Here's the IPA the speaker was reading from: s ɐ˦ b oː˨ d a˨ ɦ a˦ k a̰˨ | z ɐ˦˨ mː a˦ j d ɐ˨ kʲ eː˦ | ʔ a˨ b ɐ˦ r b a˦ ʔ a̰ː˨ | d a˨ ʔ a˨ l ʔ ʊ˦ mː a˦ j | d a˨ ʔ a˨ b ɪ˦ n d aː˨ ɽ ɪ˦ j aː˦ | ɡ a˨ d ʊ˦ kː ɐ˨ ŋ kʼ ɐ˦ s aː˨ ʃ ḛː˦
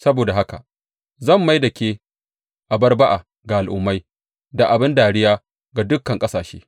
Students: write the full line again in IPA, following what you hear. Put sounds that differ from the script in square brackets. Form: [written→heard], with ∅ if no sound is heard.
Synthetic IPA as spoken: s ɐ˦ b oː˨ d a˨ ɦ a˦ k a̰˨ | z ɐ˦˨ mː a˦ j d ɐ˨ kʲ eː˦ | ʔ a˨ b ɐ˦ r b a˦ ʔ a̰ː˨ | [d→ɡ] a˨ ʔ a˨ l ʔ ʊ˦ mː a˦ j | d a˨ ʔ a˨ b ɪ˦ n d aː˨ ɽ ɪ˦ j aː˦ | ɡ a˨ d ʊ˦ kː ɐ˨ ŋ kʼ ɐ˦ s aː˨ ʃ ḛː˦